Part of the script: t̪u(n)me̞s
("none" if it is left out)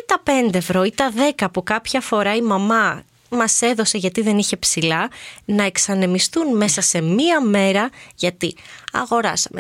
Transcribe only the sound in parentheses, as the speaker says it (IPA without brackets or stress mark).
n